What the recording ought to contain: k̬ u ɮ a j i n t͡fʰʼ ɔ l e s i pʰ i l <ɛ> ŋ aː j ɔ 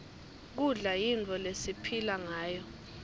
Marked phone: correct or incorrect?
incorrect